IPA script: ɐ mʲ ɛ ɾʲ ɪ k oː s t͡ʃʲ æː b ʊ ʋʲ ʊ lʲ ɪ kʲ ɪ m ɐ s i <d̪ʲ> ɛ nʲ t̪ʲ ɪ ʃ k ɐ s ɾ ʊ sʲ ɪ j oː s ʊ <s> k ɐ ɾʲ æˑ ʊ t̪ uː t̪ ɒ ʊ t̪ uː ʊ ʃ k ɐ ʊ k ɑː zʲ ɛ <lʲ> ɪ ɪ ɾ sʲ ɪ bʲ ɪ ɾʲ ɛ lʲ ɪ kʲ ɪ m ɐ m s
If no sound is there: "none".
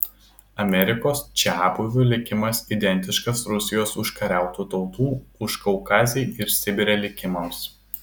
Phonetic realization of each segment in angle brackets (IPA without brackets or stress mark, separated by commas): d̪ʲ, ʃ, none